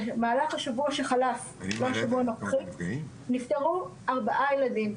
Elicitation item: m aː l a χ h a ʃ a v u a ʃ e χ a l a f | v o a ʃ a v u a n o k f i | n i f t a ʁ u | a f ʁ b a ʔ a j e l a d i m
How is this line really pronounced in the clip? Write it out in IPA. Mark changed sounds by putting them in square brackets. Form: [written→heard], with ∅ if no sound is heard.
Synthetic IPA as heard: m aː l a χ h a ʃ a v u a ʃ e χ a l a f | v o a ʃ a v u a n o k [f→χ] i | n i f t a ʁ u | a [f→∅] ʁ b a ʔ a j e l a d i m

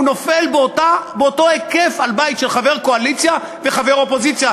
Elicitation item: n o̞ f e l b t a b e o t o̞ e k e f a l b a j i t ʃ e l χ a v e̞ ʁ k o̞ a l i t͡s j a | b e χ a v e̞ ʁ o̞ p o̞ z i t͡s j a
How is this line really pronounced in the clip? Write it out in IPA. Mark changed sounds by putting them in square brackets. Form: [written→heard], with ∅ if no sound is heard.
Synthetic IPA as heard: n o̞ f e l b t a b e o t o̞ e k e f a l b a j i t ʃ e l χ a v e̞ ʁ k o̞ a l i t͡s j a | [b→v] e χ a v e̞ ʁ o̞ p o̞ z i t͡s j a

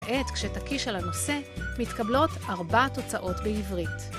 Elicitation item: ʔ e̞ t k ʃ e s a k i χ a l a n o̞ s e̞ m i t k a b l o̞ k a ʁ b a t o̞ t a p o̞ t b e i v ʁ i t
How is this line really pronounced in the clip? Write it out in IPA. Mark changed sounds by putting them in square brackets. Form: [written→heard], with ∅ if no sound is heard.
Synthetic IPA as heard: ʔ e̞ t k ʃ e [s→t] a k i [χ→ʃ] a l a n o̞ s e̞ m i t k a b l o̞ [k→t] a ʁ b a t o̞ [t→t͡s] a [p→ʔ] o̞ t b e i v ʁ i t

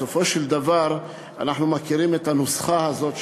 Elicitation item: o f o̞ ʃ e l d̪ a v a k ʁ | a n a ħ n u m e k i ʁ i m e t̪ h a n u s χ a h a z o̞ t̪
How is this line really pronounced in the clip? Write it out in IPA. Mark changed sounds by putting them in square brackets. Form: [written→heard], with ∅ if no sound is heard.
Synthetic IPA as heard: o f o̞ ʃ e l d̪ a v a [k→∅] ʁ | a n a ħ n u m [e→a] k i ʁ i m e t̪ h a n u s χ a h a z o̞ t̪

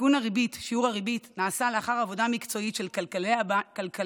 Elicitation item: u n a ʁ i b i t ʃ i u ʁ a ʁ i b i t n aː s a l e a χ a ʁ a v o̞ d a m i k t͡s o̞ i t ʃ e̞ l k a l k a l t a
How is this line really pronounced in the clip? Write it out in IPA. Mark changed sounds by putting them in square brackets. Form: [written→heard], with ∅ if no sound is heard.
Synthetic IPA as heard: u n a ʁ i b i t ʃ i u ʁ a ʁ i b i t n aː s a l e a χ a ʁ a v o̞ d a m i k t͡s o̞ i t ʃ e̞ l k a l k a l [t→k] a

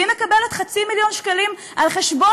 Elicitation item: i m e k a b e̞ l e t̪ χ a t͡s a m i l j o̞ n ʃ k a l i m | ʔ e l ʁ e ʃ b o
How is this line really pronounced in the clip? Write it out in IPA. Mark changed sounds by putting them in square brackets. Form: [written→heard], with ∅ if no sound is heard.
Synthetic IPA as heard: i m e k a b e̞ l e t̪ χ a t͡s [a→i] m i l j o̞ n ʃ k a l i m | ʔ [e→a] l [ʁ→χ] e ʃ b o

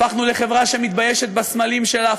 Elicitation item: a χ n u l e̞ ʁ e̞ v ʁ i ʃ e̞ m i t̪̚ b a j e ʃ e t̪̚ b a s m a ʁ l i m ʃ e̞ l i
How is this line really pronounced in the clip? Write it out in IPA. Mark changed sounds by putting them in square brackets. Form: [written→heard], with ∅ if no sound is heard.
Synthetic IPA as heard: a χ n u l e̞ [ʁ→χ] e̞ v ʁ [i→a] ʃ e̞ m i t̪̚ b a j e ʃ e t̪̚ b a s m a [ʁ→∅] l i m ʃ e̞ l [i→a]

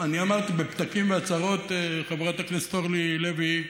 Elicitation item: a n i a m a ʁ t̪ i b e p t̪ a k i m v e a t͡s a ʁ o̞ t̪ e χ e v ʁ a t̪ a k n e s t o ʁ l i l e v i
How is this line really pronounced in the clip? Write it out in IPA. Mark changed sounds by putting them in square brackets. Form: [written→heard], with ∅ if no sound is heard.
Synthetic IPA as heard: a n i a m a ʁ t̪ i b e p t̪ a k i m v e a t͡s a ʁ o̞ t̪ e χ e v ʁ a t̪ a k n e s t o ʁ l i l e v i

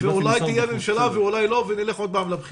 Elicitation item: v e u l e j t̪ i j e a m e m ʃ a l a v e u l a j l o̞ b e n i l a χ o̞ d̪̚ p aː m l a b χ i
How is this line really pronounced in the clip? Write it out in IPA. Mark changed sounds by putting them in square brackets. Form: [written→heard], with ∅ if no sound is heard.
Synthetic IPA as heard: v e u l [e→a] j t̪ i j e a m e m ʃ a l a v e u l a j l o̞ [b→v] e n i l [a→e] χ o̞ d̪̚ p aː m l a b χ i

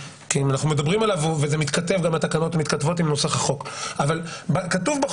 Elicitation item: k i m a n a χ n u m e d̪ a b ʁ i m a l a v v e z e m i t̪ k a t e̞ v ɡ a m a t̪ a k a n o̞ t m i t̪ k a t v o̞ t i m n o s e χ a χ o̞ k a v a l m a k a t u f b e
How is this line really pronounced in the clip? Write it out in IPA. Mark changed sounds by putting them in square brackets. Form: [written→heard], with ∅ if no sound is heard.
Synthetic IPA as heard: k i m a n a χ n u m e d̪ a b ʁ i m a l a v v e z e m i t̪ k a t e̞ v ɡ a m a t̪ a k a n o̞ t m i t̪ k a t v o̞ t i m n o s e χ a χ o̞ k a v a l [m→b] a k a t u [f→v] b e

